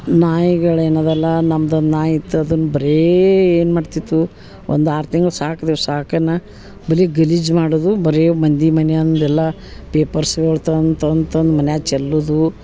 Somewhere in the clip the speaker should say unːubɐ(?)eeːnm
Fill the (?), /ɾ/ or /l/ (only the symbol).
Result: ɾ